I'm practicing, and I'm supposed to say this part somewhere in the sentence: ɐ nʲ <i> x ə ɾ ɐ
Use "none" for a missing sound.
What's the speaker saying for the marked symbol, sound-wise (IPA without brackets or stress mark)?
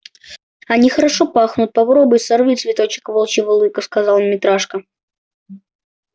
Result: i